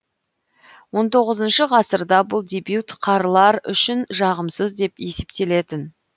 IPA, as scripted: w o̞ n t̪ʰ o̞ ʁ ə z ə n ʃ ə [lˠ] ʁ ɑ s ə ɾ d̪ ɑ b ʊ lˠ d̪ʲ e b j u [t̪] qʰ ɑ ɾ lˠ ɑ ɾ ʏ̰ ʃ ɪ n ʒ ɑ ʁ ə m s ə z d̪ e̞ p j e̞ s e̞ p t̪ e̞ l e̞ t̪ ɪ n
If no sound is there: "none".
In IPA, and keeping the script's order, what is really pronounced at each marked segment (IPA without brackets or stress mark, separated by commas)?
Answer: none, t̪